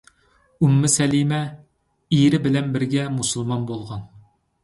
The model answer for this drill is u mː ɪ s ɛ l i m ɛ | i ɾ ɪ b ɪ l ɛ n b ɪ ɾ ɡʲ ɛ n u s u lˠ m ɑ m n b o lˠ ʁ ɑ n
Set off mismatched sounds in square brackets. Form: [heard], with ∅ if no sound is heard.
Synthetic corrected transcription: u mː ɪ s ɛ l i m ɛ | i ɾ ɪ b ɪ l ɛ n b ɪ ɾ ɡʲ ɛ [m] u s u lˠ m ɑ [∅] n b o lˠ ʁ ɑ n